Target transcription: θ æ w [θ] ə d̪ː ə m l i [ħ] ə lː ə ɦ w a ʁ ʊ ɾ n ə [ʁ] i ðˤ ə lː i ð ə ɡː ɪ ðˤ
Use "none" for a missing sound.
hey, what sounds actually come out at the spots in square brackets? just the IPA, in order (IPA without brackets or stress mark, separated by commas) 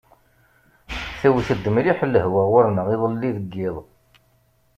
θ, ħ, ʁ